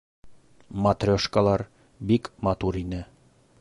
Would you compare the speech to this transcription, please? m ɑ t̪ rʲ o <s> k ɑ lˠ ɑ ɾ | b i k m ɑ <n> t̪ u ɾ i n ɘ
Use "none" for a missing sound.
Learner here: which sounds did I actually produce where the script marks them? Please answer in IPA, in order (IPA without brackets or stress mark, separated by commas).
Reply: ʃ, none